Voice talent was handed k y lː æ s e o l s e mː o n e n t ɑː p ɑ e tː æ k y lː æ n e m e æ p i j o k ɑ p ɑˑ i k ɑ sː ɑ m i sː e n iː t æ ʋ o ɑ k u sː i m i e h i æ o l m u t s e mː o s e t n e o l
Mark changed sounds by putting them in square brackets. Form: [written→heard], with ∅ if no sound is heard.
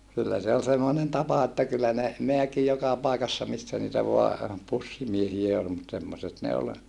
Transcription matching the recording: k y lː æ s e o l s e mː o n e n t [ɑː→ɑ] p ɑ e tː æ k y lː æ n e m e æ [p→k] i j o k ɑ p ɑˑ i k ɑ sː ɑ m i sː [e→æ] n iː t æ ʋ o ɑ [k→p] u sː i m i e h i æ o l m u t s e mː o s e t n e o l